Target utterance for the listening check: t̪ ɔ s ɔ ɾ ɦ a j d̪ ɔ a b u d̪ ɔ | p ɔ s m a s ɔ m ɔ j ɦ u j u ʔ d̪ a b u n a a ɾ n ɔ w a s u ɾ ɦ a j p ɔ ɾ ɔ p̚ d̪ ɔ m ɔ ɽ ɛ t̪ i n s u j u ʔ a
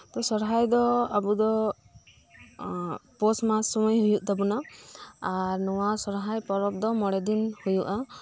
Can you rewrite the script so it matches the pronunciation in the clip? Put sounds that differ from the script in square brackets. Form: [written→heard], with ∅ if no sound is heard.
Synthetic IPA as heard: t̪ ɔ s ɔ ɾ ɦ a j d̪ ɔ a b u d̪ ɔ | p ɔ s m a s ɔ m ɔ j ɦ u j u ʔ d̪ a b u n a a ɾ n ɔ w a s [u→ɔ] ɾ ɦ a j p ɔ ɾ ɔ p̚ d̪ ɔ m ɔ ɽ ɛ [t̪→d̪] i n [s→h] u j u ʔ a